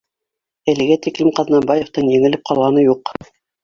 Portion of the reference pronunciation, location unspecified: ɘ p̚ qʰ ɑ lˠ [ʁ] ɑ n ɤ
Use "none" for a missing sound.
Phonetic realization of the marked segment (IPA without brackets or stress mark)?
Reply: ʁ